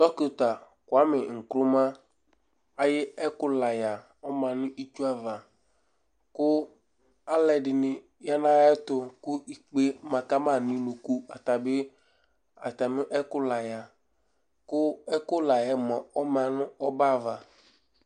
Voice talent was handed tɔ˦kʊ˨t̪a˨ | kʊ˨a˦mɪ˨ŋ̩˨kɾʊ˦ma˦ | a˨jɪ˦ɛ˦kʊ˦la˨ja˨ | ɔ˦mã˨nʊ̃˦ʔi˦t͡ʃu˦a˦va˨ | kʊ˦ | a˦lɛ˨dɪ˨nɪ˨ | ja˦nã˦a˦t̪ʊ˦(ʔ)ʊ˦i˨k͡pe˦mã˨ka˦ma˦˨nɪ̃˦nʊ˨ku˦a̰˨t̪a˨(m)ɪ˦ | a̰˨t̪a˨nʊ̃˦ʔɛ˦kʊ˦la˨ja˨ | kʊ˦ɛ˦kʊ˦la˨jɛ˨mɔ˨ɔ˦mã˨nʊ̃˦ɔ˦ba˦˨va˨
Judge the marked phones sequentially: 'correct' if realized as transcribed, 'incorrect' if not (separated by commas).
incorrect, incorrect